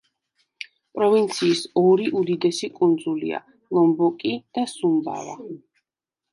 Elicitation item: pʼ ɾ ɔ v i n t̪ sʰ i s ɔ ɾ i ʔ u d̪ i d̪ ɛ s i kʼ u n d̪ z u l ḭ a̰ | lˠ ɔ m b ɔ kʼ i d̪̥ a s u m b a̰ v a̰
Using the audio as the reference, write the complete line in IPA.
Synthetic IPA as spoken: pʼ ɾ ɔ v i n t̪ sʰ iː s ɔ ɾ i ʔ u d̪ i d̪ ɛ s i kʼ u n d̪ z u l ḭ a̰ | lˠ ɔ m b ɔ kʼ i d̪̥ a s u m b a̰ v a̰